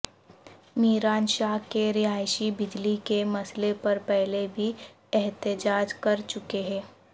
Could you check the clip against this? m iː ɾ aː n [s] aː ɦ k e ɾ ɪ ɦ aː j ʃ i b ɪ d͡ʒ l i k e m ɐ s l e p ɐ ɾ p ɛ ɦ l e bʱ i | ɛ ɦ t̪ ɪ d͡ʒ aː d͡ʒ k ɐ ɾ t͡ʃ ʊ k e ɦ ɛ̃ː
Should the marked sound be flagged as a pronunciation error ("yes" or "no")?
yes